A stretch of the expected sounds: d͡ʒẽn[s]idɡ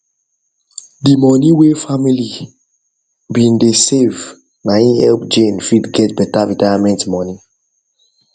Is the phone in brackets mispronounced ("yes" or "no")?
yes